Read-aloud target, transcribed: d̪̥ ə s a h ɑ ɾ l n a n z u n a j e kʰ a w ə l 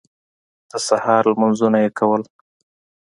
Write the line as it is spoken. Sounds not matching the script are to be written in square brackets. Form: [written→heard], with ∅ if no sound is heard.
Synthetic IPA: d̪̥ ə s a h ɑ ɾ l [n→m] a n z u n a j e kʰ a w ə l